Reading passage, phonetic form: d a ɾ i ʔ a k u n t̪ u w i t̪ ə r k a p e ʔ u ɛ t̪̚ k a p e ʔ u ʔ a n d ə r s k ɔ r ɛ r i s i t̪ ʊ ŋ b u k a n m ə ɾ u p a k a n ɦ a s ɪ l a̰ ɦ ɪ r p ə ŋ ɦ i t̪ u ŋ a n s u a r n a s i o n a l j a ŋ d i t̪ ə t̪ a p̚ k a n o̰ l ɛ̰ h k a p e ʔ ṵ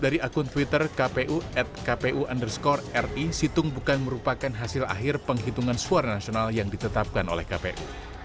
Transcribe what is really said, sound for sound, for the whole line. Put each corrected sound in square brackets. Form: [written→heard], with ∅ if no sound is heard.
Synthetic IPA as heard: d a ɾ i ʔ a k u n t̪ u w i t̪ ə r k a p e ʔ u ɛ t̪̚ k a p e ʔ u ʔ a n d ə r s k ɔ r ɛ r i s i t̪ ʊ ŋ b u k a n m ə ɾ u p a k a n ɦ a s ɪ l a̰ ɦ ɪ r p ə ŋ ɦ i t̪ u ŋ a n s u a r n a s i o n a l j a ŋ d i t̪ ə t̪ a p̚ k a n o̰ l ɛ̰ h k a p e ʔ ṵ